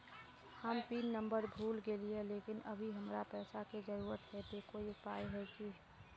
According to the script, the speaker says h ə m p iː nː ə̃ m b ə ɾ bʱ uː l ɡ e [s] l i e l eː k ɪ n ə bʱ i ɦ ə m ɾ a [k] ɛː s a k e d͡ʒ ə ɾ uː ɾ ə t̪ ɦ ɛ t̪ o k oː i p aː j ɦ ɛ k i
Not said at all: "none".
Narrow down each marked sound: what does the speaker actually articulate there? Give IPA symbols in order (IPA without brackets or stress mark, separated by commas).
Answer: none, p